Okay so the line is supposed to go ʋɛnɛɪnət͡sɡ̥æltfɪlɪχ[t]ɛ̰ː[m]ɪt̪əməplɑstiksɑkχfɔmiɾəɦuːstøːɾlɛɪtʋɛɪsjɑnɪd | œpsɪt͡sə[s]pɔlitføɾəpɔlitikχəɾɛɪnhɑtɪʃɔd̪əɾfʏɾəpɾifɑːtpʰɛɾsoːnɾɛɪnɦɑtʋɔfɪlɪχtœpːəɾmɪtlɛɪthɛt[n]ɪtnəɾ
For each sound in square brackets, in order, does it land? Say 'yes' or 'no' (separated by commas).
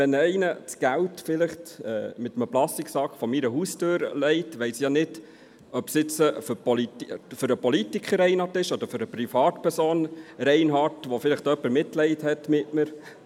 yes, yes, no, no